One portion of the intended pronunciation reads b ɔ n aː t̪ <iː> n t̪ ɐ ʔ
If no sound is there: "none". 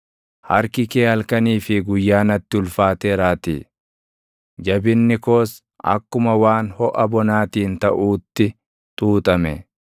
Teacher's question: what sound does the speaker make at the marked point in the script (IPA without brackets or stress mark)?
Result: iː